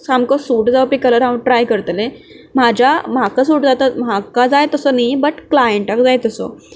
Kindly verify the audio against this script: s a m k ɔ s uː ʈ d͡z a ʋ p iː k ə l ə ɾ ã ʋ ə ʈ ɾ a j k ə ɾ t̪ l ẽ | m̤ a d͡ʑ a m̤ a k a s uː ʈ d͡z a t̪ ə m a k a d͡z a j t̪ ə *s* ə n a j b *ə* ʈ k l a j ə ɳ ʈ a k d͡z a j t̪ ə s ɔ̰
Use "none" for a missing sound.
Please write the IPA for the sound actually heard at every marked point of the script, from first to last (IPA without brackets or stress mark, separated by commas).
s, ə